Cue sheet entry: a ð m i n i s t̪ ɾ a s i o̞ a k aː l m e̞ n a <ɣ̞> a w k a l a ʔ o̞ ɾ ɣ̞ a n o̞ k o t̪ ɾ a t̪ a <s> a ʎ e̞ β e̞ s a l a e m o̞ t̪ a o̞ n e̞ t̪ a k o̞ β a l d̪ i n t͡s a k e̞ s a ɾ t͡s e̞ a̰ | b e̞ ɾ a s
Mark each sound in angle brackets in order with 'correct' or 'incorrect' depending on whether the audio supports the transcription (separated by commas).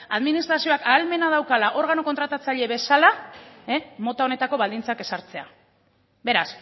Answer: incorrect, incorrect